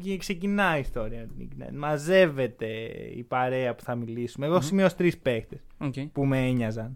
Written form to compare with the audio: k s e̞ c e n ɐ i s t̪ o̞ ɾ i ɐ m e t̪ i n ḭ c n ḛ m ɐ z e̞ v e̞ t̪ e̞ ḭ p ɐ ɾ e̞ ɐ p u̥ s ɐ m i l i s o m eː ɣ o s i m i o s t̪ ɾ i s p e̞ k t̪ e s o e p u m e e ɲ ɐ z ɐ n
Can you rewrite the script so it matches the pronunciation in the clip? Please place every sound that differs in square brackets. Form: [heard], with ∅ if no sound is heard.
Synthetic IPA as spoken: k s e̞ c [i] n ɐ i s t̪ o̞ ɾ i ɐ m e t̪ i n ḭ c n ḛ m ɐ z e̞ v e̞ t̪ e̞ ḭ p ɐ ɾ e̞ ɐ p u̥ [θ] ɐ m i l i s [u] m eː ɣ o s i m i o s t̪ ɾ i s p e̞ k t̪ e s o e p u m e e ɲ ɐ z ɐ n